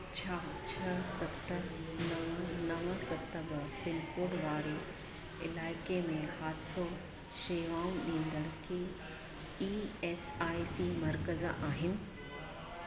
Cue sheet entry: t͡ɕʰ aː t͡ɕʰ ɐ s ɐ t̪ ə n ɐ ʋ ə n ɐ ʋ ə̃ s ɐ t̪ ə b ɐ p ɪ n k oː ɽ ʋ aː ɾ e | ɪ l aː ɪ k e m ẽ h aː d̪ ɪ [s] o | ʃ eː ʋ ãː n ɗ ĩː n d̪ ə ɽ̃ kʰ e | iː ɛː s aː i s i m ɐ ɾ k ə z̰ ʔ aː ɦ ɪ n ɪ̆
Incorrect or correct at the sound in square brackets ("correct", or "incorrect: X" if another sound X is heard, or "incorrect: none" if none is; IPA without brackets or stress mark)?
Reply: correct